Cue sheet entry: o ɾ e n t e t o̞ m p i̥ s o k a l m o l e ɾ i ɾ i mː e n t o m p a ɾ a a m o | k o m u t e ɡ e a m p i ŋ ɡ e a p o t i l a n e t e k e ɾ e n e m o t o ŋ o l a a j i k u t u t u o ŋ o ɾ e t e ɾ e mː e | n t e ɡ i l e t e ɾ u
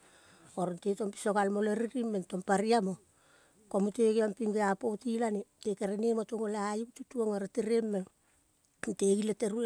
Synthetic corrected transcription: o ɾ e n t e t o̞ m p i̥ s o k a l m o l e ɾ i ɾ i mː e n t o m p a ɾ i a m o | k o m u t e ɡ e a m p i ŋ ɡ e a p o t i l a n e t e k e ɾ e n e m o t o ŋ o l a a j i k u t u t u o ŋ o ɾ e t e ɾ e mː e | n t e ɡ i l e t e ɾ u